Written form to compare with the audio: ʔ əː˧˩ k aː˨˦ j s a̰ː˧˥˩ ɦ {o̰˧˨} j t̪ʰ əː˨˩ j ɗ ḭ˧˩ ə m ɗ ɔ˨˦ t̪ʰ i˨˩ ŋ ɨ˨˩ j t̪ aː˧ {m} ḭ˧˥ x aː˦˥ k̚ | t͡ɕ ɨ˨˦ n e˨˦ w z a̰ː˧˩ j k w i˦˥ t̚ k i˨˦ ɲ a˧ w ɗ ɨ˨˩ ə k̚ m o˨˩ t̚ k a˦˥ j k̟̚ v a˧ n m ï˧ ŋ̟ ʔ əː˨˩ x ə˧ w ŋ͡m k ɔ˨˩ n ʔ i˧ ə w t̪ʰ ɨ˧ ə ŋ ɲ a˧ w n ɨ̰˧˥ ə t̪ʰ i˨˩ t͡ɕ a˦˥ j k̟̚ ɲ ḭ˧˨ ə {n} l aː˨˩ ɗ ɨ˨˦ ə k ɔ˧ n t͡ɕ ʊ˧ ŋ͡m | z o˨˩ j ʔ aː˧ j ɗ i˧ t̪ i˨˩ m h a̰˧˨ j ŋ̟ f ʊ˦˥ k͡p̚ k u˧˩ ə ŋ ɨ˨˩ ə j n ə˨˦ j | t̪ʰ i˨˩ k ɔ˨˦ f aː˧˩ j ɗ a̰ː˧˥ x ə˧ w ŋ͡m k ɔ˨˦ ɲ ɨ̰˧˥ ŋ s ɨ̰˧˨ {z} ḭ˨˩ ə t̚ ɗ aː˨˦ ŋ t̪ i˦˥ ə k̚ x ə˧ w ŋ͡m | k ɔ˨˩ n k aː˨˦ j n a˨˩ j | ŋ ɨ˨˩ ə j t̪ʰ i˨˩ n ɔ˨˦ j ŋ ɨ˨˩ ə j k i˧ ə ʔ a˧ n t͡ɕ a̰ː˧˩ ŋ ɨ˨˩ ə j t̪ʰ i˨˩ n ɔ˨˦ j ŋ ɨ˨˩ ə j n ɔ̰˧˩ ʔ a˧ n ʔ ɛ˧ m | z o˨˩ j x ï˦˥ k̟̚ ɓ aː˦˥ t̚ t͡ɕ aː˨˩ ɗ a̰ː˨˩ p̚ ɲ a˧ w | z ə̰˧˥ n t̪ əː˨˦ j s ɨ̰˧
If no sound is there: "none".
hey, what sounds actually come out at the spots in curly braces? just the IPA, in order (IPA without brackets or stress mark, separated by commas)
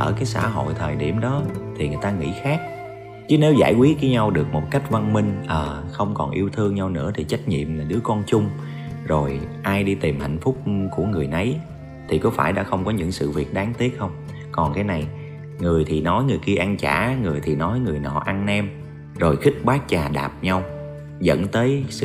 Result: o̰˧˨, ŋ, m, v